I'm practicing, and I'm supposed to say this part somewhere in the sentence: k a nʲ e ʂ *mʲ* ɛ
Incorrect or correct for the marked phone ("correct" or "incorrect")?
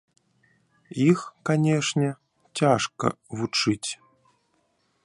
incorrect